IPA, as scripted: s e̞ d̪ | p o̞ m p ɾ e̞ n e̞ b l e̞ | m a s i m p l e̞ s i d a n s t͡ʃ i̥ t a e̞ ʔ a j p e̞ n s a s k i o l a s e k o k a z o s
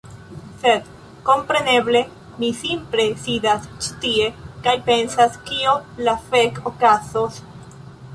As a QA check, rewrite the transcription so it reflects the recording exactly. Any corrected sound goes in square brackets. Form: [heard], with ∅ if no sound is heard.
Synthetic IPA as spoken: s e̞ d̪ | [k] o̞ m p ɾ e̞ n e̞ b l e̞ | m [i] s i m p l e̞ s i d a [∅] s t͡ʃ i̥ t [i] e̞ [k] a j p e̞ n s a s k i o l a [f] e k o k a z o s

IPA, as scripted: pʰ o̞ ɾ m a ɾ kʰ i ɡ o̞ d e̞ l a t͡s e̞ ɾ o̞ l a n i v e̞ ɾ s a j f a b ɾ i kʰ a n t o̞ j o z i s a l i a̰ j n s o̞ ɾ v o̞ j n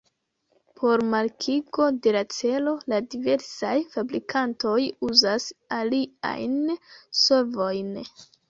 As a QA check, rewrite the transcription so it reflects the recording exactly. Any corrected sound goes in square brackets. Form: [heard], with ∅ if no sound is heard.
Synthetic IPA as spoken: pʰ o̞ ɾ m a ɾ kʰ i ɡ o̞ d e̞ l a t͡s e̞ [l] o̞ l a [d] i v e̞ ɾ s a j f a b ɾ i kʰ a n t o̞ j [u] z [a] s a l i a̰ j n s o̞ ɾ v o̞ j n

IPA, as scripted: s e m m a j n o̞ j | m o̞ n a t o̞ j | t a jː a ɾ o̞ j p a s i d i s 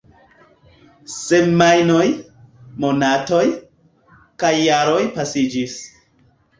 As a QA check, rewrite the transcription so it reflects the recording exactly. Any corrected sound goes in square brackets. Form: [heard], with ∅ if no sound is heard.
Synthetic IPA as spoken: s e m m a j n o̞ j | m o̞ n a t o̞ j | [k] a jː a ɾ o̞ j p a s i [d͡ʒ] i s

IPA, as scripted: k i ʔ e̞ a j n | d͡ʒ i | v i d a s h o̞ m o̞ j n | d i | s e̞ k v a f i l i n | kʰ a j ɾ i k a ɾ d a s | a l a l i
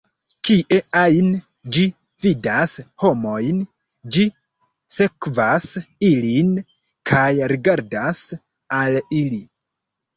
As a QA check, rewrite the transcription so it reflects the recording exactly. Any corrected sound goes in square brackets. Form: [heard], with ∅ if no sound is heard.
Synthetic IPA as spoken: k i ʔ e̞ a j n | d͡ʒ i | v i d a s h o̞ m o̞ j n | [d͡ʒ] i | s e̞ k v a [s] i l i n | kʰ a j ɾ i [ɡ] a ɾ d a s | a l [i] l i

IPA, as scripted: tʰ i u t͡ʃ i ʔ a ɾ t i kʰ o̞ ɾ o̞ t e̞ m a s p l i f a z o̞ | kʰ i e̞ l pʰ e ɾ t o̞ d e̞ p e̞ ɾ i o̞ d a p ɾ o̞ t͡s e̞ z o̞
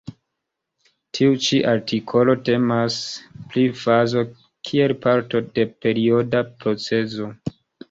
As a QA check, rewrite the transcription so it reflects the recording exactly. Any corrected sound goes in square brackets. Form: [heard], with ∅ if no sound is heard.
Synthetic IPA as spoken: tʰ i u t͡ʃ i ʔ a ɾ t i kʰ o̞ [l] o̞ t e̞ m a s p l i f a z o̞ | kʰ i e̞ l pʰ [a] ɾ t o̞ d e̞ p e̞ ɾ i o̞ d a p ɾ o̞ t͡s e̞ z o̞

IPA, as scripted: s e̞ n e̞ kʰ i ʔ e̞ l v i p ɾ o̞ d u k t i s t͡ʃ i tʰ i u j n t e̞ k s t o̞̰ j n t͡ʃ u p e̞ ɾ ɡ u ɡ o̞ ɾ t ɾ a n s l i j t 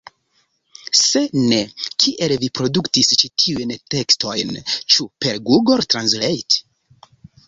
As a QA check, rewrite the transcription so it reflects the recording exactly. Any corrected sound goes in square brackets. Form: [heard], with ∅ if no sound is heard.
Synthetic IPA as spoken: s e̞ n e̞ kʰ i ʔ e̞ l v i p ɾ o̞ d u k t i s t͡ʃ i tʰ i u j n t e̞ k s t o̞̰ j n t͡ʃ u p e̞ ɾ ɡ u ɡ o̞ ɾ t ɾ a n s l [e] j t

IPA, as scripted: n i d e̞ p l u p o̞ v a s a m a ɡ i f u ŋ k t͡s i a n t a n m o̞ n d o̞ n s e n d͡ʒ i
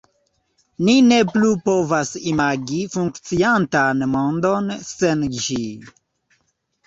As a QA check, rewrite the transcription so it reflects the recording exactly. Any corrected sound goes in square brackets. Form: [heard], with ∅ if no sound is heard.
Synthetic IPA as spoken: n i [n] e̞ p l u p o̞ v a s [i] m a ɡ i f u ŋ k t͡s i a n t a n m o̞ n d o̞ n s e n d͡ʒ i

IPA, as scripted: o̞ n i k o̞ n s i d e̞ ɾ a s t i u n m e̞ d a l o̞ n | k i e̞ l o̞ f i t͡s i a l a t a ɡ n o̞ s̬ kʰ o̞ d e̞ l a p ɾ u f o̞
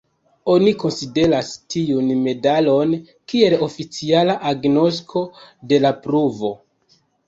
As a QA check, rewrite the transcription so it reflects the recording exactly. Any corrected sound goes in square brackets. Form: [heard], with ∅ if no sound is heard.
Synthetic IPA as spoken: o̞ n i k o̞ n s i d e̞ ɾ a s t i u n m e̞ d a l o̞ n | k i e̞ l o̞ f i t͡s i a l a [ʔ] a ɡ n o̞ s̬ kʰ o̞ d e̞ l a p ɾ u [v] o̞

